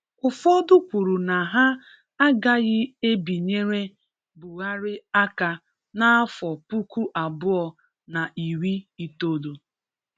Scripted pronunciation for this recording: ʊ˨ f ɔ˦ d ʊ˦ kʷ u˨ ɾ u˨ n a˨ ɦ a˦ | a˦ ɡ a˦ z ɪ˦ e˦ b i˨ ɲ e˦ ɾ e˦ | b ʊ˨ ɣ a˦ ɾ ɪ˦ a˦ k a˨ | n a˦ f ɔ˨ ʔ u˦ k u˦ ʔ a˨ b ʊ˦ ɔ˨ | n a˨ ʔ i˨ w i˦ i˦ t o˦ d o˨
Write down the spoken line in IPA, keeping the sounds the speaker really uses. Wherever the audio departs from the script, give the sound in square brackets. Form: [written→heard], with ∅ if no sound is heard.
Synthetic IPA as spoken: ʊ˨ f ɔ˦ d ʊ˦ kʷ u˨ ɾ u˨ n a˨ ɦ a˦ | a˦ ɡ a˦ [z→ɣ] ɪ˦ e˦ b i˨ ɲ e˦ ɾ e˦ | b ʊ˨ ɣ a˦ ɾ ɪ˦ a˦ k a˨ | n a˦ f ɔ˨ [ʔ→p] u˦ k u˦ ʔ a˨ b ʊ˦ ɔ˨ | n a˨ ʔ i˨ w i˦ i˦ t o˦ d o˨